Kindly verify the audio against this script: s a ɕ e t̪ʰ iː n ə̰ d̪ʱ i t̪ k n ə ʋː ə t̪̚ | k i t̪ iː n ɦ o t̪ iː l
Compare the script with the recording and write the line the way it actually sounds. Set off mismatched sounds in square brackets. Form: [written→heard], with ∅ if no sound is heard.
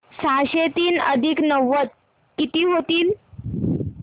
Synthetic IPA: s a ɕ e [t̪ʰ→t̪] iː n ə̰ d̪ʱ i [t̪→∅] k n ə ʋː ə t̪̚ | k i t̪ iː [n→∅] ɦ o t̪ iː l